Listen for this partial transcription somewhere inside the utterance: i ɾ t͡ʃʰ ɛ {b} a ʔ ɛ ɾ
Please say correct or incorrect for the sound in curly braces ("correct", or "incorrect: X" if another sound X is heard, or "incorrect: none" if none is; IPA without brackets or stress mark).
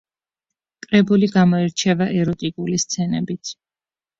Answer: incorrect: v